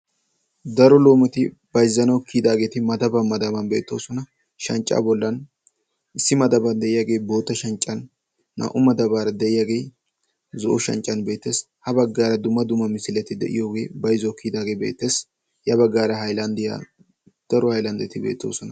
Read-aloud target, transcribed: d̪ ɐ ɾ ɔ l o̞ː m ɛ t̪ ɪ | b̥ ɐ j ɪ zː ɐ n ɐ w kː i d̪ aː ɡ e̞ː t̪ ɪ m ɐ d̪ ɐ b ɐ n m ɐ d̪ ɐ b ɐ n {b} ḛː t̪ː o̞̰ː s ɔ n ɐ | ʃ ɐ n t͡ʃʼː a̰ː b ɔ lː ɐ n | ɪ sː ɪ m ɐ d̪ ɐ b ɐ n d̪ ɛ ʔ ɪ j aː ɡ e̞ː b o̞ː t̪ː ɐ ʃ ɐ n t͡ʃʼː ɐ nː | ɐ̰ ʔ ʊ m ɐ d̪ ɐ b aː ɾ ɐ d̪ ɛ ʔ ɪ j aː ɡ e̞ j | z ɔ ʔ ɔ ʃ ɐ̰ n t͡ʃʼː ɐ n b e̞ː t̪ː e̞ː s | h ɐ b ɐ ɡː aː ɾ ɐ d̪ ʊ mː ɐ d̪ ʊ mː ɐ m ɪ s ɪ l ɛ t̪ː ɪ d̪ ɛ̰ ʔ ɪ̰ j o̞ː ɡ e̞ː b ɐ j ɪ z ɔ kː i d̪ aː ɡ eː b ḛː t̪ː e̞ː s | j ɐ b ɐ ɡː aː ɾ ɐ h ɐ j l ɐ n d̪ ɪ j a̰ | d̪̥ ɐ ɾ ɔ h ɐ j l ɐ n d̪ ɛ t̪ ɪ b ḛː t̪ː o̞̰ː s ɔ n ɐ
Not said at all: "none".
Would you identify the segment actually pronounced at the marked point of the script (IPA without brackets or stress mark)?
b